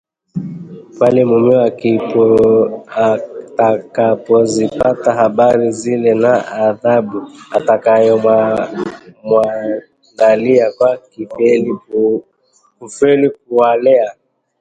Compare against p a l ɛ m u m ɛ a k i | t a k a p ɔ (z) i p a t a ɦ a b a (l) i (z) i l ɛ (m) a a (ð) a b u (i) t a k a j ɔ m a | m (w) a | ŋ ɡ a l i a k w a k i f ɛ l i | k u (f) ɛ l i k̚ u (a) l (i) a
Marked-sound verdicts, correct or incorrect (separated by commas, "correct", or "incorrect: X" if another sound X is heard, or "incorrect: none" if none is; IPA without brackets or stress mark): correct, incorrect: ɾ, correct, incorrect: n, correct, incorrect: a, correct, correct, correct, incorrect: ɛ